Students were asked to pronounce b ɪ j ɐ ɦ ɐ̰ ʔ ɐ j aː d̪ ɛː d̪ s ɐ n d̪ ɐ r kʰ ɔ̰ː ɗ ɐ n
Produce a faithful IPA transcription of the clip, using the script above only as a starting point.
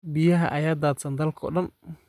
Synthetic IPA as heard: b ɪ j ɐ ɦ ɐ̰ ʔ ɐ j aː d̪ aː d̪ s ɐ n d̪ ɐ l kʰ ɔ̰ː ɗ ɐ n